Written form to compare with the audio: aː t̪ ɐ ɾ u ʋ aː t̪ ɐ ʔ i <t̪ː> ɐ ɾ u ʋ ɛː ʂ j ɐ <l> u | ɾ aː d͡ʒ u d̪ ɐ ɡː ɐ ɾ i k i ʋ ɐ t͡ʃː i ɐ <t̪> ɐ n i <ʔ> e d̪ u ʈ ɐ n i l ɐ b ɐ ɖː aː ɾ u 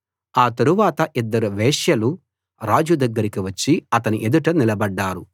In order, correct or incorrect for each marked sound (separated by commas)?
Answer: incorrect, correct, correct, correct